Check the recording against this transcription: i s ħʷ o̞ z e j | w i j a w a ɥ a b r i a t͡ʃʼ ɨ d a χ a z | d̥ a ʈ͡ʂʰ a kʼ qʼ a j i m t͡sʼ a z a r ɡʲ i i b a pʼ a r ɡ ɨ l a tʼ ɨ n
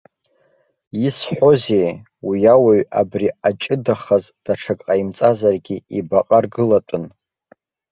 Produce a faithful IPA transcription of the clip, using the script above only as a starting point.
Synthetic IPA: i s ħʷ o̞ z e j | w i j a w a ɥ a b r i a t͡ʃʼ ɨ d a χ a z | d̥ a ʈ͡ʂʰ a kʼ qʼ a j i m t͡sʼ a z a r ɡʲ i i b a qʼ a r ɡ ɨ l a tʼ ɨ n